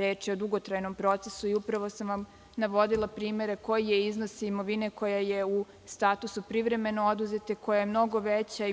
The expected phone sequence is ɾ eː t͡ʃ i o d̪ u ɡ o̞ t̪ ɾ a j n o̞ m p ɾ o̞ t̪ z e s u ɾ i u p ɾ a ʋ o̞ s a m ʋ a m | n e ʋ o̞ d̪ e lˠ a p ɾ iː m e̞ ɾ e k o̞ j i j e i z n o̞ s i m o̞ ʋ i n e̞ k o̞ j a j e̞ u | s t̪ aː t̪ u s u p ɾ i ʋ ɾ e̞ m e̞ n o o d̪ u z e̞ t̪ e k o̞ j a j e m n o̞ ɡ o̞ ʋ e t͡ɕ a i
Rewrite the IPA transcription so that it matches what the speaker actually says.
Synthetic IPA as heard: ɾ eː t͡ʃ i o d̪ u ɡ o̞ t̪ ɾ a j n o̞ m p ɾ o̞ t̪ s e s u i u p ɾ a ʋ o̞ s a m ʋ a m | n a ʋ o̞ d̪ i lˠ a p ɾ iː m e̞ ɾ e k o̞ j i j e i z n o̞ s i m o̞ ʋ i n e̞ k o̞ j a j e̞ u | s t̪ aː t̪ u s u p ɾ i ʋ ɾ e̞ m e̞ n o o d̪ u z e̞ t̪ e k o̞ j a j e m n o̞ ɡ o̞ ʋ e t͡ɕ a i